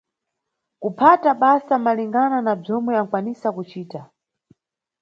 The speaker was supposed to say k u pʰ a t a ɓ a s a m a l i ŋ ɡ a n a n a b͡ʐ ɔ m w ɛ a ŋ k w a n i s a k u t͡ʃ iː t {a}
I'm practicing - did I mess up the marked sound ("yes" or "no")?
no